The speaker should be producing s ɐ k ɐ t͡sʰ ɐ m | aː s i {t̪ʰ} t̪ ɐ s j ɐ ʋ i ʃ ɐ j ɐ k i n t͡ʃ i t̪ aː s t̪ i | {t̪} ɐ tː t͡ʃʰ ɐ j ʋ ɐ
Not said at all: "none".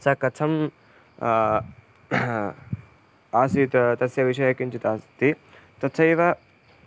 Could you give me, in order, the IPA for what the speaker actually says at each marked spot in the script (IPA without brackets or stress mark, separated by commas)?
t̪, t̪